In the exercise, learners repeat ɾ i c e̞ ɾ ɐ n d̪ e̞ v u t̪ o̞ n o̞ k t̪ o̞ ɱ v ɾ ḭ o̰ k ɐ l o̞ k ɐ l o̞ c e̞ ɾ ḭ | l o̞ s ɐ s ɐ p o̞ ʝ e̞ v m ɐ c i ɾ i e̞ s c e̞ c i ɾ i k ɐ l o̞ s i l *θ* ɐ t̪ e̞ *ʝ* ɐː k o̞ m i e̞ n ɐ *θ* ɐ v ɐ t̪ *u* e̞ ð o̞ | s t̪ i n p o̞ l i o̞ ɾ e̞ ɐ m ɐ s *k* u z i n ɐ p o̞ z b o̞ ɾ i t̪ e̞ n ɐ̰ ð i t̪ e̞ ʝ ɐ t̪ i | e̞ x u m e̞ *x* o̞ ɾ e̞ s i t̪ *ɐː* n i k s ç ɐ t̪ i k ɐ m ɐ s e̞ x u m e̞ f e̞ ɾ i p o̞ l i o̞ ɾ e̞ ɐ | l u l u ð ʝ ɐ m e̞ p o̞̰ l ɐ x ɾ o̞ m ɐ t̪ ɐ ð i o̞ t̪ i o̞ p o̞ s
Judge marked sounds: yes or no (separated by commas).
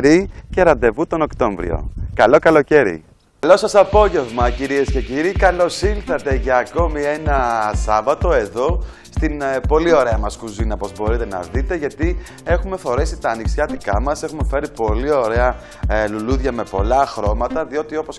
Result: yes, yes, no, no, yes, no, yes